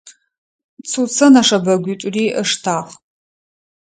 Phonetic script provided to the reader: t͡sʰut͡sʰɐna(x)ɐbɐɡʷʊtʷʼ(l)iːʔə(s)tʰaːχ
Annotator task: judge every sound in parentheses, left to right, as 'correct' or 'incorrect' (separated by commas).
incorrect, incorrect, incorrect